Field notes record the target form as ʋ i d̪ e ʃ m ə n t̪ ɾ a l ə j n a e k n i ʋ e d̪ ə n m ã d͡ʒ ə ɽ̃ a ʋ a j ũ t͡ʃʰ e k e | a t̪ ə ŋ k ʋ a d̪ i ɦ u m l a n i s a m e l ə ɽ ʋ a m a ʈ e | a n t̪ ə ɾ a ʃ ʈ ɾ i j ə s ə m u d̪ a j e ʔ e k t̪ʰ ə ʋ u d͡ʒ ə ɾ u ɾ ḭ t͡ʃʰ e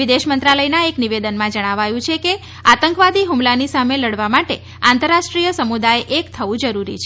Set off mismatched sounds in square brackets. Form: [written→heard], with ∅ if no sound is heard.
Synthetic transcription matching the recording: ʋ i d̪ e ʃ m ə n t̪ ɾ a l ə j n a e k n i ʋ e d̪ ə n m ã d͡ʒ ə ɽ̃ a ʋ a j ũ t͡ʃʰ e k e | a t̪ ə ŋ k ʋ a d̪ i ɦ u m l a n i s a m e l ə ɽ ʋ a m a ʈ e | a n t̪ ə ɾ a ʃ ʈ ɾ i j ə s ə m u d̪ a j e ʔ e k t̪ʰ ə ʋ [u→ũ] d͡ʒ ə ɾ u ɾ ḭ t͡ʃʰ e